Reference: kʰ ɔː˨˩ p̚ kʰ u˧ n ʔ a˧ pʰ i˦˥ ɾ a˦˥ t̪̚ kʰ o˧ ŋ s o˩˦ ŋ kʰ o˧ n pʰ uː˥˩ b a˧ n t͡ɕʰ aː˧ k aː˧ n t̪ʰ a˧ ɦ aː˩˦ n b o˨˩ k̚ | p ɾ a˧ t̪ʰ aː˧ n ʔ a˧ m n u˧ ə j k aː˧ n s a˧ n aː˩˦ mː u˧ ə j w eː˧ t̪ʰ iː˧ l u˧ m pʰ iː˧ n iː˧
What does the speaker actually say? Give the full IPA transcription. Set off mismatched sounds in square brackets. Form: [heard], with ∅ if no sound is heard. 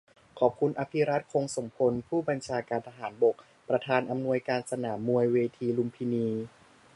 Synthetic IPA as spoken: kʰ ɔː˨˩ p̚ kʰ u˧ n ʔ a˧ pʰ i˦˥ ɾ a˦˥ t̪̚ kʰ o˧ ŋ s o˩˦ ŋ [pʰ] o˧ n pʰ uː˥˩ b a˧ n t͡ɕʰ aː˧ k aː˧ n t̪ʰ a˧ ɦ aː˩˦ n b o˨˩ k̚ | p ɾ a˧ t̪ʰ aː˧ n ʔ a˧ m n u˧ ə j k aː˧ n s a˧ n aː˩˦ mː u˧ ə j w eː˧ t̪ʰ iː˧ l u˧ m pʰ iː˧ n iː˧

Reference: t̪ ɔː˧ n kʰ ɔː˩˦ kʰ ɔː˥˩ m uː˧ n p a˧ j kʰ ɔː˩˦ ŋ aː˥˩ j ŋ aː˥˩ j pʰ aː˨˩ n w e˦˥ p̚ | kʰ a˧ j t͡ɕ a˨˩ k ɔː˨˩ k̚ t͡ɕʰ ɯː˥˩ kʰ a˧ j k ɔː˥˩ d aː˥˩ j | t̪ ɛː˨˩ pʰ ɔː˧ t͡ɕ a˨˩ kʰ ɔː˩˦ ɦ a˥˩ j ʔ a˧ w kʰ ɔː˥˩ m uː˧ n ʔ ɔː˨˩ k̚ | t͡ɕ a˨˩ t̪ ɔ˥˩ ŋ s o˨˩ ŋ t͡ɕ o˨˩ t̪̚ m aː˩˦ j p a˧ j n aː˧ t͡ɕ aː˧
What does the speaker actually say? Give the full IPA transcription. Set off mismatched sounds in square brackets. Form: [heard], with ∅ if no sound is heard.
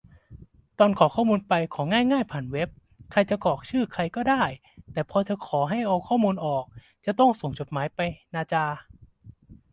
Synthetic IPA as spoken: t̪ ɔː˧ n kʰ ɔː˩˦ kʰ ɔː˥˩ m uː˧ n p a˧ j kʰ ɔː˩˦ ŋ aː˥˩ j ŋ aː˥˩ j pʰ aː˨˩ n w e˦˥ p̚ | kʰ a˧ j t͡ɕ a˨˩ k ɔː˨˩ k̚ t͡ɕʰ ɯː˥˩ kʰ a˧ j k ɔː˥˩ d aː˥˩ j | t̪ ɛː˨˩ pʰ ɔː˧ t͡ɕ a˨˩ kʰ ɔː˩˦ ɦ a˥˩ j ʔ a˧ w kʰ ɔː˥˩ m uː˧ n ʔ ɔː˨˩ k̚ | t͡ɕ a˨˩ t̪ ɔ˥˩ ŋ s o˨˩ ŋ t͡ɕ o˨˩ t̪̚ m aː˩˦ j p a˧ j n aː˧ t͡ɕ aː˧

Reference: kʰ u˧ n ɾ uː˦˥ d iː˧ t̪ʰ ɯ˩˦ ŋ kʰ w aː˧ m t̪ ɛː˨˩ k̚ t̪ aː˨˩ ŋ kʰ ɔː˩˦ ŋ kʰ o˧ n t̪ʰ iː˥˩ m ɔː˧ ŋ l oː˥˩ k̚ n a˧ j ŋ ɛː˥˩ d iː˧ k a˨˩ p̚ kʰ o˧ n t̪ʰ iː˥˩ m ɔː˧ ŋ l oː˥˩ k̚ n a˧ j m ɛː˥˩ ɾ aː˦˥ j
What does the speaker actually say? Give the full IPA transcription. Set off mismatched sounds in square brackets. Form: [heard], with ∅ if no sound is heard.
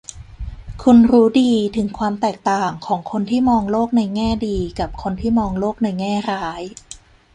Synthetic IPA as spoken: kʰ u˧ n ɾ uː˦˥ d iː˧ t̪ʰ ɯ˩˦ ŋ kʰ w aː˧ m t̪ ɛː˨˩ k̚ t̪ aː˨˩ ŋ kʰ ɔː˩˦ ŋ kʰ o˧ n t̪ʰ iː˥˩ m ɔː˧ ŋ l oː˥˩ k̚ n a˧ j ŋ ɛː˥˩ d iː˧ k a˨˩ p̚ kʰ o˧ n t̪ʰ iː˥˩ m ɔː˧ ŋ l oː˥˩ k̚ n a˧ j [ŋ] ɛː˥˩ ɾ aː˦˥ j

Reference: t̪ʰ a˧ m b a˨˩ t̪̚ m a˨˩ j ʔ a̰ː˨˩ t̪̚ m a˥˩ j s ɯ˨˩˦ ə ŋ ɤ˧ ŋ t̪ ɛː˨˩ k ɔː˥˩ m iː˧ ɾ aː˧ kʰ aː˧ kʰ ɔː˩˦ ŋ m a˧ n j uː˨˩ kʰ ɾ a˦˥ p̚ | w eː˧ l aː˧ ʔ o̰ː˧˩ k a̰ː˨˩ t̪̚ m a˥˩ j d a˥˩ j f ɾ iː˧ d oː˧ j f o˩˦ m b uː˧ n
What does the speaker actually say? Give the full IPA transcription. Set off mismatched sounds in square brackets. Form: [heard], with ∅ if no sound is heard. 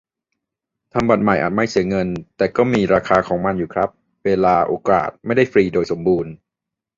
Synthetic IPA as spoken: t̪ʰ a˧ m b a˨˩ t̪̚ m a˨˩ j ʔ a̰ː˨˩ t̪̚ m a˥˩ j s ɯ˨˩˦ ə ŋ ɤ˧ [n] t̪ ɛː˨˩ k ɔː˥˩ m iː˧ ɾ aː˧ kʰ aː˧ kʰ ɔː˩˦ ŋ m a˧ n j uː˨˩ kʰ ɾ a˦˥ p̚ | w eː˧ l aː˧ ʔ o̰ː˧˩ k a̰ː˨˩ t̪̚ m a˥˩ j d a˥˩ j f ɾ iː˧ d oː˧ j [s] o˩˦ m b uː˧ n

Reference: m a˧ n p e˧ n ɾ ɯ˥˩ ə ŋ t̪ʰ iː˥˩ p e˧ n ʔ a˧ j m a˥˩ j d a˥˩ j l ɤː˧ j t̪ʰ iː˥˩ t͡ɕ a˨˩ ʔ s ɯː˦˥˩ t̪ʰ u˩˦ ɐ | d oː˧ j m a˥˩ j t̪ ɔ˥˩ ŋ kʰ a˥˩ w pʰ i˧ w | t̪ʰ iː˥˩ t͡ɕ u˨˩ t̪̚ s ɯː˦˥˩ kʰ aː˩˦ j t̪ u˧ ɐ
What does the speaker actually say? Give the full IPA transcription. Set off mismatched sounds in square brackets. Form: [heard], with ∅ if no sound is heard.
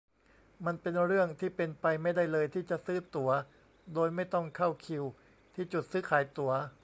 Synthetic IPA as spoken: m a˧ n p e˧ n ɾ ɯ˥˩ ə ŋ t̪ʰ iː˥˩ p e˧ n [p] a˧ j m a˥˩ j d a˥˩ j l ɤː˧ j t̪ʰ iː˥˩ t͡ɕ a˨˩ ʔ s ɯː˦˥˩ [t̪] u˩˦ ɐ | d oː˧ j m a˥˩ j t̪ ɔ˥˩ ŋ kʰ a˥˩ w [kʰ] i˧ w | t̪ʰ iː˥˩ t͡ɕ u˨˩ t̪̚ s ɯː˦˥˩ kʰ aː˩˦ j t̪ [u˩˦] ɐ

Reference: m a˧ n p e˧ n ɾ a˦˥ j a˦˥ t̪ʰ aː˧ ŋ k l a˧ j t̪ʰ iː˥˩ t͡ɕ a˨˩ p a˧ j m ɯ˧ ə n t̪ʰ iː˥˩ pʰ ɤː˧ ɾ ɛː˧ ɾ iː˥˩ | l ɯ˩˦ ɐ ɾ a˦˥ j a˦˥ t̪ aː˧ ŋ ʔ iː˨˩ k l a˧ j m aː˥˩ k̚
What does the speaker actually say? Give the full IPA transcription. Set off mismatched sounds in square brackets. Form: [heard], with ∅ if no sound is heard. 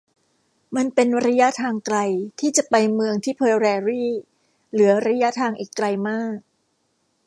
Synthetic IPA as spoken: m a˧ n p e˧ n ɾ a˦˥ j a˦˥ t̪ʰ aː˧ ŋ k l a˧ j t̪ʰ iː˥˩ t͡ɕ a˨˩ p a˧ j m ɯ˧ ə [ŋ] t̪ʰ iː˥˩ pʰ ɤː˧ ɾ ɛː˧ ɾ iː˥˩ | l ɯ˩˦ ɐ ɾ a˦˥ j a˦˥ [t̪ʰ] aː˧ ŋ ʔ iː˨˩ k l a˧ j m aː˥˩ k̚

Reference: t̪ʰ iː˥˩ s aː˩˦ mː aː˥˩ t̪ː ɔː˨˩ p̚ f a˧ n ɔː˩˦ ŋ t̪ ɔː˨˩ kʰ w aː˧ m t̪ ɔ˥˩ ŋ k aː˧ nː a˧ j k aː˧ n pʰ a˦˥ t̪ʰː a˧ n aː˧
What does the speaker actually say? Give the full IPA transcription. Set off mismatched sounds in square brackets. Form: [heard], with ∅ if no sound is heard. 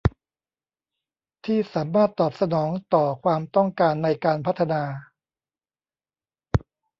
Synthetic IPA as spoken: t̪ʰ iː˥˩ s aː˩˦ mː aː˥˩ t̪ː ɔː˨˩ p̚ [s] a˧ n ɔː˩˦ ŋ t̪ ɔː˨˩ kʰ w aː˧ m t̪ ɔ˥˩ ŋ k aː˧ nː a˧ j k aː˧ n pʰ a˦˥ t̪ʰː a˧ n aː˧

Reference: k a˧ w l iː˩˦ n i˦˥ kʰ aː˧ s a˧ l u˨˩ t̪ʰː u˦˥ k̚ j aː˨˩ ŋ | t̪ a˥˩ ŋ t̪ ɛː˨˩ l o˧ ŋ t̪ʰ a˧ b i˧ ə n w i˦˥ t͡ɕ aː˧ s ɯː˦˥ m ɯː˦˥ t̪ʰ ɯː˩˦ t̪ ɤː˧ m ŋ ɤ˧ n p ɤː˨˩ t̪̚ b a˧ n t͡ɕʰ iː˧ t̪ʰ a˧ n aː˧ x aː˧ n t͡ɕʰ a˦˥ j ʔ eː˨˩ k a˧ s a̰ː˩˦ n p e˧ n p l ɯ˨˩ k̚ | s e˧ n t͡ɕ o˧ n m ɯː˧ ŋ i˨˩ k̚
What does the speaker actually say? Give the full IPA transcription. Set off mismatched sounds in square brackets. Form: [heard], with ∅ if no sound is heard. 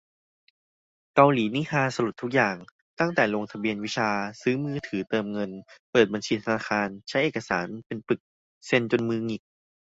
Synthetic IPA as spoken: k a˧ w l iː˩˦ n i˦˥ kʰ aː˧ s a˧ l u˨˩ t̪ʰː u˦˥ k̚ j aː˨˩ ŋ | t̪ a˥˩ ŋ t̪ ɛː˨˩ l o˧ ŋ t̪ʰ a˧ b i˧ ə n w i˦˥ [t͡ɕʰ] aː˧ s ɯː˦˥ m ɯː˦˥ t̪ʰ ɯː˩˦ t̪ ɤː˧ m ŋ ɤ˧ n p ɤː˨˩ t̪̚ b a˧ n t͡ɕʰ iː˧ t̪ʰ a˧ n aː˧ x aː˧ n t͡ɕʰ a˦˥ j ʔ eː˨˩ k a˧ s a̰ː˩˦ n p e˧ n p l ɯ˨˩ k̚ | s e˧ n t͡ɕ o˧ n m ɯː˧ ŋ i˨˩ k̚

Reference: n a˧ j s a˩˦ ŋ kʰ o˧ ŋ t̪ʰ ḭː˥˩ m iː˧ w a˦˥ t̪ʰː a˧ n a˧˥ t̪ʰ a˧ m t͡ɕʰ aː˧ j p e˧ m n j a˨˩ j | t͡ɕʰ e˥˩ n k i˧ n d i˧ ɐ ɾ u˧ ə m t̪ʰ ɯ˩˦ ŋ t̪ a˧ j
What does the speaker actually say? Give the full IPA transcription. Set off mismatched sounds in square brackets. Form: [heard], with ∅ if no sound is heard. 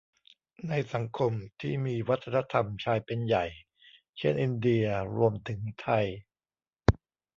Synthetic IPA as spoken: n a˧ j s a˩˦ ŋ kʰ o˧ [m] t̪ʰ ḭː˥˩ m iː˧ w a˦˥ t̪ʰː a˧ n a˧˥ t̪ʰ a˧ m t͡ɕʰ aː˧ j p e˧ [∅] n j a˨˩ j | t͡ɕʰ e˥˩ n [ʔ] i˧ n d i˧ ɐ ɾ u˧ ə m t̪ʰ ɯ˩˦ ŋ [t̪ʰ] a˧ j

